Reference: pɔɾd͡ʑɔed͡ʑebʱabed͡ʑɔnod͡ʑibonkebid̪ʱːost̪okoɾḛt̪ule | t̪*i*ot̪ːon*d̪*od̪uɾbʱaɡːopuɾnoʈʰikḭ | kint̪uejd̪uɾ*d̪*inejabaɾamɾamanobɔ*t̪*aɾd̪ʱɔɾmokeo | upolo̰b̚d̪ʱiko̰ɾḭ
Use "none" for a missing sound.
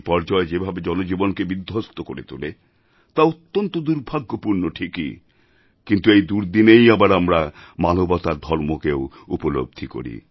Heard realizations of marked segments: a, t̪, d̪, t̪

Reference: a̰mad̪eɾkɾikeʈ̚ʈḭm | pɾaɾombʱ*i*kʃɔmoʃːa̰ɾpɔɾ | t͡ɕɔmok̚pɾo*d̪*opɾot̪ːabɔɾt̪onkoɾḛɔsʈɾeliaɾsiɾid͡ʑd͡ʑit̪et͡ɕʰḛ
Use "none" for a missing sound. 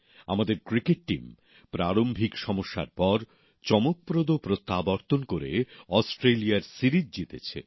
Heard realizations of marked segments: i, d̪

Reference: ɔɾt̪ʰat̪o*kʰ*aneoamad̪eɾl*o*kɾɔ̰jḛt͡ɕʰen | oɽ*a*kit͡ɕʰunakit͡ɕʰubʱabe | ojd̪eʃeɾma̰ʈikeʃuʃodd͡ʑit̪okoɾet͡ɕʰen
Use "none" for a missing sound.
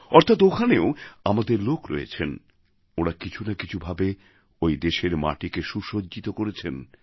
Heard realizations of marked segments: kʰ, o, a

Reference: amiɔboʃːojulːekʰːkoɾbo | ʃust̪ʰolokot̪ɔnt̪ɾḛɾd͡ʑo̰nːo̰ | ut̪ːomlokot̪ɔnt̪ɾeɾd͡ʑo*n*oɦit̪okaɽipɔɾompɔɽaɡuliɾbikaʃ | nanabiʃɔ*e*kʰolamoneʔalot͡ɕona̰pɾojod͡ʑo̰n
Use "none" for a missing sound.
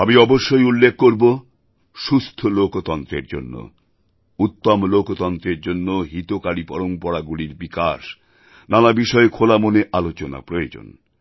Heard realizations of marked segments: nː, e

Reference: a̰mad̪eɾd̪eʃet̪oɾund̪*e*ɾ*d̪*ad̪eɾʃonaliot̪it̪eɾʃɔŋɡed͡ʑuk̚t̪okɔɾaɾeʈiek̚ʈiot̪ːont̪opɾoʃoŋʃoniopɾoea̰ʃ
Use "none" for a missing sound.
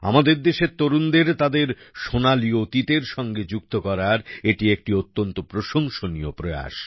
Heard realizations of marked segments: e, t̪

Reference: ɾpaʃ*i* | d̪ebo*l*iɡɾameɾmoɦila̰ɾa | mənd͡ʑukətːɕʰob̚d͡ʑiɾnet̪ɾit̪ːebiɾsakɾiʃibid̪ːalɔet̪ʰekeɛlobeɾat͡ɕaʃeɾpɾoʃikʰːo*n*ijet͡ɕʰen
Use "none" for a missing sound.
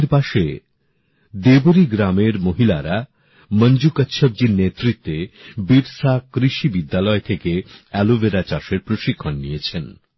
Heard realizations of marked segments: e, ɾ, nː

